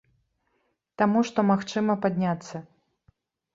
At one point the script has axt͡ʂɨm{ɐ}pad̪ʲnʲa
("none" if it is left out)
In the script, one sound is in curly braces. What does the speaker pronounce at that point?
ɐ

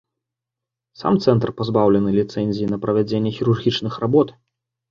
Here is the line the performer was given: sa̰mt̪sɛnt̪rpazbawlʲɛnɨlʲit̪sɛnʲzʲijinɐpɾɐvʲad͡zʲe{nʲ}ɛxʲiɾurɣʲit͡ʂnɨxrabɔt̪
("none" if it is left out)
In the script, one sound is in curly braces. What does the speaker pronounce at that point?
nʲː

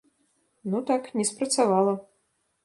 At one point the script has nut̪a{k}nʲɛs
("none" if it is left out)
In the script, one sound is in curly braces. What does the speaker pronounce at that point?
k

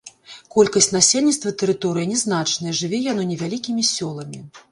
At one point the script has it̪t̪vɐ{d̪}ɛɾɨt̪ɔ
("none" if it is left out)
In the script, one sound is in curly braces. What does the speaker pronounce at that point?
t̪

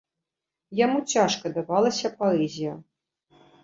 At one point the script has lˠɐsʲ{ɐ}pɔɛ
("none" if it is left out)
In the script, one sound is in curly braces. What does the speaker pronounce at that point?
ɐ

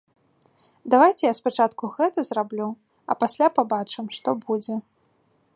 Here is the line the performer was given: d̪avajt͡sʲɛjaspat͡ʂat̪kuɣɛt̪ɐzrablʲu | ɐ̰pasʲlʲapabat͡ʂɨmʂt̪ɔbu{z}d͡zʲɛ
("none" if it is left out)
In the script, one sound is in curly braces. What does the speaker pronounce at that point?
none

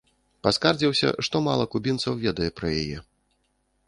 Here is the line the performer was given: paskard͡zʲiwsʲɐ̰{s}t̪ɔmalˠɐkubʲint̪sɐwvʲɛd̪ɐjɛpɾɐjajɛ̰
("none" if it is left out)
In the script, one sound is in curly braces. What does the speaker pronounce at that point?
ʂ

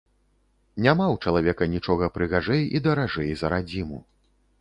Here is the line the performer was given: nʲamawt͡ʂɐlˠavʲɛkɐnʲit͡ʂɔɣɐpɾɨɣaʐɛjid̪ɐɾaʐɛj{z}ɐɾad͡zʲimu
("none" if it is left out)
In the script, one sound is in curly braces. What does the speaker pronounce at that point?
z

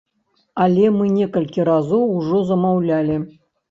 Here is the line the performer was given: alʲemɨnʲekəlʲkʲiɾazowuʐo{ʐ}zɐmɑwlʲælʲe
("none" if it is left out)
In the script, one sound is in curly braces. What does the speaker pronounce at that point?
none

